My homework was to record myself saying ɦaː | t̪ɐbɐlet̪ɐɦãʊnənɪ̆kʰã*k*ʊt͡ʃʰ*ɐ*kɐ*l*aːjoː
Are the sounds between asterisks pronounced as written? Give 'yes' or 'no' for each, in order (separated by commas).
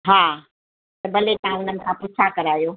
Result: no, no, no